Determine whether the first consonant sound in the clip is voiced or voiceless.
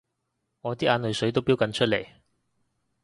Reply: voiced